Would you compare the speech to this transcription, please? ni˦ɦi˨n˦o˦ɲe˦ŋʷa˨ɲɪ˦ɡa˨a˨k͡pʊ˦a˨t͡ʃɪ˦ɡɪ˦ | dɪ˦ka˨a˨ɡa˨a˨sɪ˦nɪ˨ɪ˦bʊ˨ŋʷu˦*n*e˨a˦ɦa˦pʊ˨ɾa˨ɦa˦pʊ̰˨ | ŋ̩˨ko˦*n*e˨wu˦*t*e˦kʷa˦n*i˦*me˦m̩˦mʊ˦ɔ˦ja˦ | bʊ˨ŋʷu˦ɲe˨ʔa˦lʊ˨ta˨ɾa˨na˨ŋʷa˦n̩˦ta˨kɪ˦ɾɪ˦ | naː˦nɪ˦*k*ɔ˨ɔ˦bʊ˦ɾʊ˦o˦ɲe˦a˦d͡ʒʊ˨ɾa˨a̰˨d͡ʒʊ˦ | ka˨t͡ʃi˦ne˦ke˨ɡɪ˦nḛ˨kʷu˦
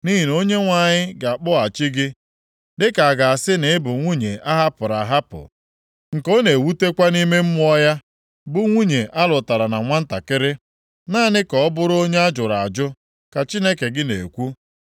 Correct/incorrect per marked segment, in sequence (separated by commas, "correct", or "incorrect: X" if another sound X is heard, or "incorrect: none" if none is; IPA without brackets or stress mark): incorrect: ɲ, correct, correct, correct, correct